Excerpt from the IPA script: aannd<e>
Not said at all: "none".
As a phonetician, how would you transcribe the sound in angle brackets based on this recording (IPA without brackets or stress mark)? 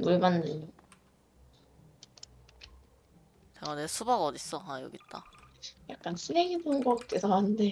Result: e